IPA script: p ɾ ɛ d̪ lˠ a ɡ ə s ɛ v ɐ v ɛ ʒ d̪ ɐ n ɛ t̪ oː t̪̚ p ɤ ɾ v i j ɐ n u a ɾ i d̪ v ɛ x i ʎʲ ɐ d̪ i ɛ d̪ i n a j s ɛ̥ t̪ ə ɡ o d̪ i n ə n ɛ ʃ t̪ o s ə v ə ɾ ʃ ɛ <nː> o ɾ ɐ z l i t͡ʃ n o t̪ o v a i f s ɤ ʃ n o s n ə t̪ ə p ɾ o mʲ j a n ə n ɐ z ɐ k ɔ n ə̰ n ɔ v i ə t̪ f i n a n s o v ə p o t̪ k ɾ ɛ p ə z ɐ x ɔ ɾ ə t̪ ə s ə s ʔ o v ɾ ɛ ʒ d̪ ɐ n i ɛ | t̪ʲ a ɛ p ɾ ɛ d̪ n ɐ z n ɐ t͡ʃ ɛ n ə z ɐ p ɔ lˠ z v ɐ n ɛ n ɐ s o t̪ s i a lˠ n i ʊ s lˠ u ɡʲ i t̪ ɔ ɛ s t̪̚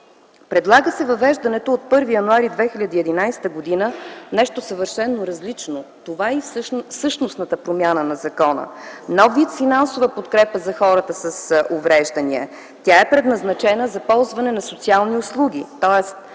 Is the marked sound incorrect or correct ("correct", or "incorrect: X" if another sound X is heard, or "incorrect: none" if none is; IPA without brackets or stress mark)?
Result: correct